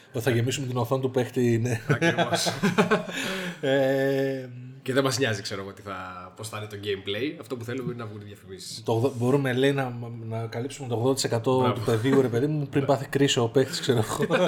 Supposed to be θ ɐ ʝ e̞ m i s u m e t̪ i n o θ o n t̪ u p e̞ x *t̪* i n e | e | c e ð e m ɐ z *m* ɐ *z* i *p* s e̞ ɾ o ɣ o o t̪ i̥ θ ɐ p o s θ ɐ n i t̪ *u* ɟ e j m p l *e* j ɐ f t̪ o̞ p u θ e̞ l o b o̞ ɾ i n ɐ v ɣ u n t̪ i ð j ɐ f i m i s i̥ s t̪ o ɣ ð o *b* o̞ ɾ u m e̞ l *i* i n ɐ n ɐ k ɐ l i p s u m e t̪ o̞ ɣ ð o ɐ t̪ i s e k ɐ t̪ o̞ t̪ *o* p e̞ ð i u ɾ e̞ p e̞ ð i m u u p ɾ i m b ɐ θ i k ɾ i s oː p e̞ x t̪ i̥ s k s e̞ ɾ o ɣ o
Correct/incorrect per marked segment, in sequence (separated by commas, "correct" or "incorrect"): correct, incorrect, correct, incorrect, incorrect, correct, correct, incorrect, incorrect